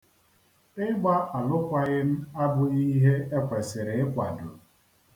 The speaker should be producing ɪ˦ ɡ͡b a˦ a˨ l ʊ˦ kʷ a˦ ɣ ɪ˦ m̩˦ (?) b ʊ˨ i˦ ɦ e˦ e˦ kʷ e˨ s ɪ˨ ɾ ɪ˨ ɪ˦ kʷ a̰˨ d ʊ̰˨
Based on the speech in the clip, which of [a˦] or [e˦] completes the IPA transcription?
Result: a˦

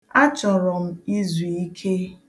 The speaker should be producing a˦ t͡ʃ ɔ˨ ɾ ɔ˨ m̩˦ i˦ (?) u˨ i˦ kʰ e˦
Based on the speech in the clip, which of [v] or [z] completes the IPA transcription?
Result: z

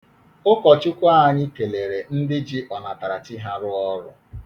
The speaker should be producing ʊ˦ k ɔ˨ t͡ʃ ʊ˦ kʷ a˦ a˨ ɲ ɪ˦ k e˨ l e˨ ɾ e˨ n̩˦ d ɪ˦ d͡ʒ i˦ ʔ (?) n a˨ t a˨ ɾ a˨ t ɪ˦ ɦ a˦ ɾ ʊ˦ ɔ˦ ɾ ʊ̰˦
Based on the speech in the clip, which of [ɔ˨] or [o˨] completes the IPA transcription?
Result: ɔ˨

